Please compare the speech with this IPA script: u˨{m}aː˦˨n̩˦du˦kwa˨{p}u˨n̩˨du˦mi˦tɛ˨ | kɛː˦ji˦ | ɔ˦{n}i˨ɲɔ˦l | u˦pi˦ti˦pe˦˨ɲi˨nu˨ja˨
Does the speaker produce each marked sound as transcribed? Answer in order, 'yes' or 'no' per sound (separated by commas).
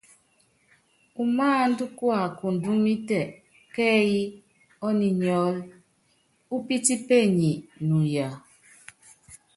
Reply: yes, no, yes